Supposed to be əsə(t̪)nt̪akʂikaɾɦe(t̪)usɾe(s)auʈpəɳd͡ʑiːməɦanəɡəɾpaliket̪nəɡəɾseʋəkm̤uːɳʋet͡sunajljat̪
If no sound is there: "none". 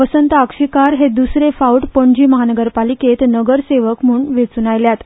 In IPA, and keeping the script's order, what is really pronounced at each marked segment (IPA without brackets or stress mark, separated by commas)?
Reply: none, d̪, f